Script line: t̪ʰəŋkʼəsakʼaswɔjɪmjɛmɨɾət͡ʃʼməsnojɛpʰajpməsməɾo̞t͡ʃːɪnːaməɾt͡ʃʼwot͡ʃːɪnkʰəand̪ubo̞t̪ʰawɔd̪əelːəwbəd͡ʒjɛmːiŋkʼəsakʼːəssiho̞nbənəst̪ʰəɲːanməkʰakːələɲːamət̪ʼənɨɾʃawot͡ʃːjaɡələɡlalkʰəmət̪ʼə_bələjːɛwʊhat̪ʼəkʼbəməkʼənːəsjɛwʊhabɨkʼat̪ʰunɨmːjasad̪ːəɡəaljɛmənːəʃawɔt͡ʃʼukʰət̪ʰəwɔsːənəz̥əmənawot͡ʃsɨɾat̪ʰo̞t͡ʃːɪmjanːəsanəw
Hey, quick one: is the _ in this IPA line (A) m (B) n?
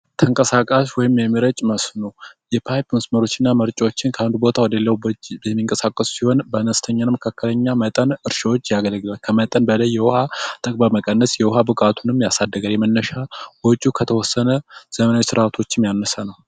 B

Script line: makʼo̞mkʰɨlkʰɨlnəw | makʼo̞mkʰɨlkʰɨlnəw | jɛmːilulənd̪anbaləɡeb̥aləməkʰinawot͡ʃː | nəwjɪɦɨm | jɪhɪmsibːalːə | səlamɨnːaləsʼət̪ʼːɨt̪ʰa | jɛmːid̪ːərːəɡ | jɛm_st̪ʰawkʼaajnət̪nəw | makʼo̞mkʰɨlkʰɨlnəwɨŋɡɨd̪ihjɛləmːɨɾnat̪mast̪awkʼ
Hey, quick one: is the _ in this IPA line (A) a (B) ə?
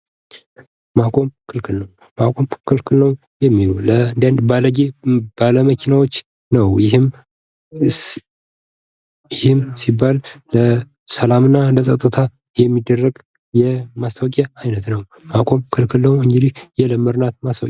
A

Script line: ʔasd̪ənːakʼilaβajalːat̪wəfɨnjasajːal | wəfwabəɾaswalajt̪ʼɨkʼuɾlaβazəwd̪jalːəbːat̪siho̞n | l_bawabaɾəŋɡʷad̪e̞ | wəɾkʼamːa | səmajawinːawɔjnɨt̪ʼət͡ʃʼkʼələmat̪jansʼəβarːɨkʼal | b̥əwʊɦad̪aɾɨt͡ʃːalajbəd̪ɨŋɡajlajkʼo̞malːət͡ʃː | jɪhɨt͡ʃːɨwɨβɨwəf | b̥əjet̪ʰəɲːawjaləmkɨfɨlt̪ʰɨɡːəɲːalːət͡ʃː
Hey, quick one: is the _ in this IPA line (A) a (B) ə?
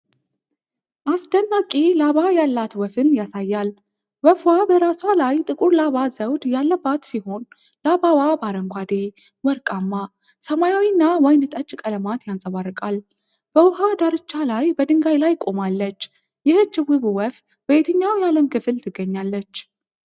A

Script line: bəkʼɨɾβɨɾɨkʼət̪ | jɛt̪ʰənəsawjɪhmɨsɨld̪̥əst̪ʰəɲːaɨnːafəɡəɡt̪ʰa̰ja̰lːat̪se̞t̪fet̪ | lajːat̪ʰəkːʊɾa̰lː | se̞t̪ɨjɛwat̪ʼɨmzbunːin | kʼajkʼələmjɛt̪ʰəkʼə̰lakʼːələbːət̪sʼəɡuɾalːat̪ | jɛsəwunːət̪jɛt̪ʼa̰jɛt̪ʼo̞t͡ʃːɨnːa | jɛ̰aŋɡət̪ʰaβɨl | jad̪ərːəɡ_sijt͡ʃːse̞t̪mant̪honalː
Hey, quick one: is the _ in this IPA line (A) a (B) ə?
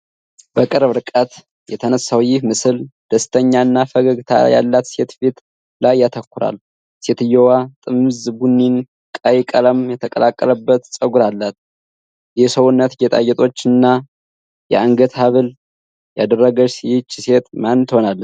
B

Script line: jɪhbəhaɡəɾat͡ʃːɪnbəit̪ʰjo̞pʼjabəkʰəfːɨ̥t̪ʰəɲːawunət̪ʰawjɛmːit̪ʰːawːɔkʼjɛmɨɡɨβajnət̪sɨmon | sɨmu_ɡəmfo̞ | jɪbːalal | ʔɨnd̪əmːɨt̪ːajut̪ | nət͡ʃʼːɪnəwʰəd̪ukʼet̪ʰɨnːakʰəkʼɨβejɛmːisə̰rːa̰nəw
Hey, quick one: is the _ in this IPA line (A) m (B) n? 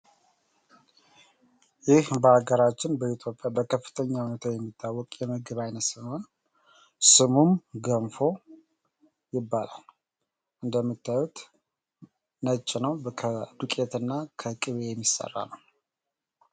A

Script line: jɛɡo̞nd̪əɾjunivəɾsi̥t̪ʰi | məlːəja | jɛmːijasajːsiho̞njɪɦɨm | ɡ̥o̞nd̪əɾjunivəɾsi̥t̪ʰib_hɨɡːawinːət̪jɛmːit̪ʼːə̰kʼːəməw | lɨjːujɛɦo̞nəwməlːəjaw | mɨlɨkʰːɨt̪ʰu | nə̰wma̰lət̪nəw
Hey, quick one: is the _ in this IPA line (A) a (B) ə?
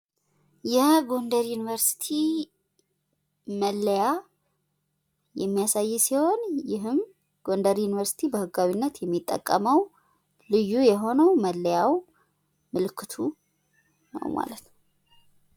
B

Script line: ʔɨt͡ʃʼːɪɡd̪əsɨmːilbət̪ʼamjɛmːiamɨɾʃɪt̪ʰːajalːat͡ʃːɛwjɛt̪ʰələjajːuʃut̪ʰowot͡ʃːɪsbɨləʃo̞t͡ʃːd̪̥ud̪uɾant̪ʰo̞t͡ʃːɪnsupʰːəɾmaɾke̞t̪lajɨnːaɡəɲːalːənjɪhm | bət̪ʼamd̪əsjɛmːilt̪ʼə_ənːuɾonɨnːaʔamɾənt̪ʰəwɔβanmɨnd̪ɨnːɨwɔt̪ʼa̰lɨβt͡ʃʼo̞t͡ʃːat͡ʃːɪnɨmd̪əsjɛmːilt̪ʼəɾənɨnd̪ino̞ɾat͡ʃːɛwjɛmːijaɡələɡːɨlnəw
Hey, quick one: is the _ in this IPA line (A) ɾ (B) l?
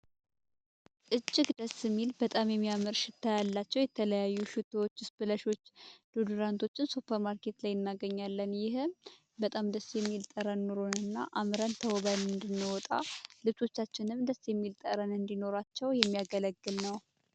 A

